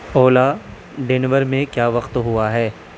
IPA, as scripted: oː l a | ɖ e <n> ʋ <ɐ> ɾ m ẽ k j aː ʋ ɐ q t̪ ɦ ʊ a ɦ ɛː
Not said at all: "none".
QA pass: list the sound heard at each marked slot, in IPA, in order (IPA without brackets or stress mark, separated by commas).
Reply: n, ə